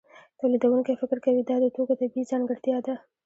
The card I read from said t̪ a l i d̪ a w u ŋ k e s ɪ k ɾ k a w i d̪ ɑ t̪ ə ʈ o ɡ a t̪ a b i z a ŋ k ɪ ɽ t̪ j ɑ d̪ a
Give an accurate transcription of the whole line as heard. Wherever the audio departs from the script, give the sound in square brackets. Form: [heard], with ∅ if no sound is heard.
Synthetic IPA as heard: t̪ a l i d̪ a w u ŋ k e [f] ɪ k ɾ k a w i d̪ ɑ [d̪] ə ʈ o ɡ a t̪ a b i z [ɑ] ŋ [ɡ] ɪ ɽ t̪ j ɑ d̪ a